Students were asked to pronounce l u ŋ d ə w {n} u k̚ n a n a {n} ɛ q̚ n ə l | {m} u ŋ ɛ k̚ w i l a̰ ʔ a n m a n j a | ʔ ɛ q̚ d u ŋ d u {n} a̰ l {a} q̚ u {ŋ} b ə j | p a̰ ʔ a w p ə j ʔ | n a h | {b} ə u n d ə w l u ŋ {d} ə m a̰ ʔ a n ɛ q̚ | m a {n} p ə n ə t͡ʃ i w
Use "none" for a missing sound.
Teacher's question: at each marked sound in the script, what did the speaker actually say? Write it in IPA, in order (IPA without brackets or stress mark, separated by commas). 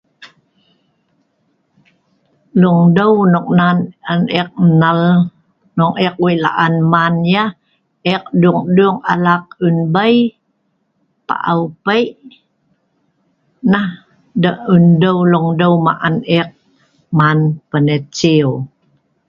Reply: n, n, n, ŋ, a, n, d, d, n